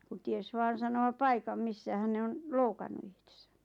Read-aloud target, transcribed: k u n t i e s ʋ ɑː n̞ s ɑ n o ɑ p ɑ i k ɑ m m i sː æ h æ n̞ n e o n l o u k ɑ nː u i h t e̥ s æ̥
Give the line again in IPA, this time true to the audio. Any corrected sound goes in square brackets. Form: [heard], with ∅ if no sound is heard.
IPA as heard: k u n t i e s ʋ ɑː n̞ s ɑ n o ɑ p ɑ i k ɑ m m i sː æ h æ n̞ n e o n l o u k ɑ nː u i h t e̥ s æ̥